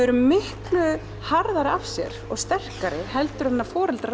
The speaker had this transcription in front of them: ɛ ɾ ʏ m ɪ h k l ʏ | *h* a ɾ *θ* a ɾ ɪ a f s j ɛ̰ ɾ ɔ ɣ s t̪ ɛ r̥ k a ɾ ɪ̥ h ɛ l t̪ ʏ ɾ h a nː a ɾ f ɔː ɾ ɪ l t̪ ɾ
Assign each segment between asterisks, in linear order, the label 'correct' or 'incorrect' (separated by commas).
correct, incorrect